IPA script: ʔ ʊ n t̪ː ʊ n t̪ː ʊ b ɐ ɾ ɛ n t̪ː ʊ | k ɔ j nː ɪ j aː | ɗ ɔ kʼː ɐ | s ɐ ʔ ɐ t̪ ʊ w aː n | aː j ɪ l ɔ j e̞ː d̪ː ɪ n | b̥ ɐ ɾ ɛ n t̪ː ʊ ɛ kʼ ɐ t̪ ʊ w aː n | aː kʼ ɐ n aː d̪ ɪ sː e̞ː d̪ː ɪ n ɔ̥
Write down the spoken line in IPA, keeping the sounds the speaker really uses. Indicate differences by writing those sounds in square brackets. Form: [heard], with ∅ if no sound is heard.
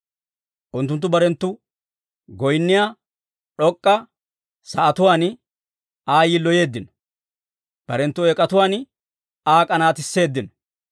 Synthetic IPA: ʔ ʊ n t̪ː ʊ n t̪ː ʊ b ɐ ɾ ɛ n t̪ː ʊ | [ɡ] ɔ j nː ɪ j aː | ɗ ɔ kʼː ɐ | s ɐ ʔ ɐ t̪ ʊ w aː n | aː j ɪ l ɔ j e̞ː d̪ː ɪ n | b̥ ɐ ɾ ɛ n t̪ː ʊ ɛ kʼ ɐ t̪ ʊ w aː n | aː kʼ ɐ n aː [t̪] ɪ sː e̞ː d̪ː ɪ n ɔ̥